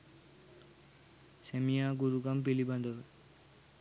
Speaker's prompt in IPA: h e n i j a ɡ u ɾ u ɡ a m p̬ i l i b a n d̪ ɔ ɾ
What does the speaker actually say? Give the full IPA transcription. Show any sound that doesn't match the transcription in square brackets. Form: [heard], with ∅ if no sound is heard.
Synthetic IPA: [s] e [m] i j a ɡ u ɾ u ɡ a m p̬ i l i b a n d̪ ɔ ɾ

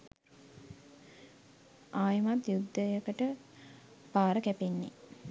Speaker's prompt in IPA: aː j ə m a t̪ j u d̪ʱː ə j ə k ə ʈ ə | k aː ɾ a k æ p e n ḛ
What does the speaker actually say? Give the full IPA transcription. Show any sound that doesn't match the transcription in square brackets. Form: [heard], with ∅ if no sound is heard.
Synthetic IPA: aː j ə m a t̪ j u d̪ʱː ə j ə k ə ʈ ə | [p] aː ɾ [ə] k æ p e [nː] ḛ

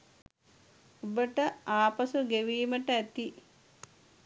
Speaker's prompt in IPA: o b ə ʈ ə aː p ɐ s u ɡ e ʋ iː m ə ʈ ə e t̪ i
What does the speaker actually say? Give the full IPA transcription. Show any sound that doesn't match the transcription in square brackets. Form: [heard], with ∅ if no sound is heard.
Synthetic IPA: o b ə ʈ ə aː p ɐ s u ɡ e ʋ iː m ə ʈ ə [æ] t̪ i

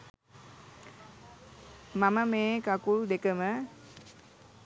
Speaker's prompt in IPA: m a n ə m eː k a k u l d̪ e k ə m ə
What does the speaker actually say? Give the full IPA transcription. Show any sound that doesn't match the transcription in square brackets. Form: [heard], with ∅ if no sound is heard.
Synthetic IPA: m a [m] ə m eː k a k u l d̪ e k ə m ə

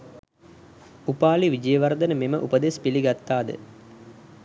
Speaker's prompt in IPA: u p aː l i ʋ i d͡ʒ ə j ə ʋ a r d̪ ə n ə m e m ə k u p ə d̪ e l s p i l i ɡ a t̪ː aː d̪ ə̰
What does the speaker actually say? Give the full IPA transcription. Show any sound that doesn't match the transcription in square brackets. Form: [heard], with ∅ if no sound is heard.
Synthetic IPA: u p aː l i ʋ i d͡ʒ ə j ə ʋ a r d̪ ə n ə m e m ə [ʔ] u p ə d̪ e [∅] s p i l i ɡ a t̪ː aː d̪ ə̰

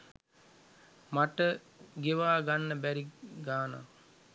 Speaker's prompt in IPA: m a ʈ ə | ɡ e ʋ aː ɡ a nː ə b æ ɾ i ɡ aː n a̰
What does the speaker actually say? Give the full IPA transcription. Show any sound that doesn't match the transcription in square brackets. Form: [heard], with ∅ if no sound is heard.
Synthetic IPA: m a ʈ ə | ɡ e ʋ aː ɡ a nː ə b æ ɾ i ɡ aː n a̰

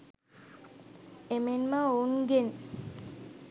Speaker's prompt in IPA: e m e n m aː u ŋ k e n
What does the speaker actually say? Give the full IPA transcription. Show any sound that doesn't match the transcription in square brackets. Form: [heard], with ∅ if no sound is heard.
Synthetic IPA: e m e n m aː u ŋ [ɡ] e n

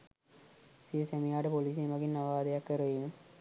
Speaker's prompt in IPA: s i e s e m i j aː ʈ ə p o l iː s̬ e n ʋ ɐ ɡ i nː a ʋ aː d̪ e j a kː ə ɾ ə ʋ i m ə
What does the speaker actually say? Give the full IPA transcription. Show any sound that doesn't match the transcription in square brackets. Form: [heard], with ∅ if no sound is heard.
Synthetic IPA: s i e s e m i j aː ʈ ə p o l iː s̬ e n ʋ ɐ ɡ i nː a ʋ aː d̪ e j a kː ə ɾ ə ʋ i m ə

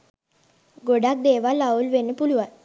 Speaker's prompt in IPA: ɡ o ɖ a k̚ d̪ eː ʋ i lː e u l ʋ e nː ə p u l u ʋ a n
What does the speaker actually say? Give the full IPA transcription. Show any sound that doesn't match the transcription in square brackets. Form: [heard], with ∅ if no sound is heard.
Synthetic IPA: ɡ o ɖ a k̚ d̪ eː ʋ [a] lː [a] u l ʋ e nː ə p u l u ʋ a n

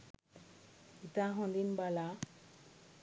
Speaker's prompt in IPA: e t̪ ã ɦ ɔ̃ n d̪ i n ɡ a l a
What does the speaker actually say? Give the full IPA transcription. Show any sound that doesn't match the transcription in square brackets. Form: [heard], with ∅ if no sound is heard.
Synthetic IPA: [i] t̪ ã ɦ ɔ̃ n d̪ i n [b] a l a

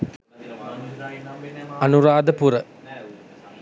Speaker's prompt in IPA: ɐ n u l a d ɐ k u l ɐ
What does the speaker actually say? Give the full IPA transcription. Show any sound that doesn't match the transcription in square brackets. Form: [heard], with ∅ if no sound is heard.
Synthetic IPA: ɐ n u [ɾ] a d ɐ [p] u [ɾ] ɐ

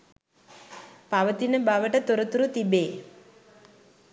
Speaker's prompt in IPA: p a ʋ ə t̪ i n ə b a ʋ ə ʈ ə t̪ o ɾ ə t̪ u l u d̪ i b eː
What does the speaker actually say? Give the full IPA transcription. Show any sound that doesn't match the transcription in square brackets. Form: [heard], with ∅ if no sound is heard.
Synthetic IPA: p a ʋ ə t̪ i n ə b a ʋ ə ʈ ə t̪ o ɾ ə t̪ u [ɾ] u [t̪] i b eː

